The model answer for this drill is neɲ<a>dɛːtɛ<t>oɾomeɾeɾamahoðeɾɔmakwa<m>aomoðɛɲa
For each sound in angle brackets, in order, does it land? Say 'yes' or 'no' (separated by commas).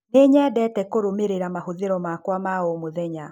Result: no, no, yes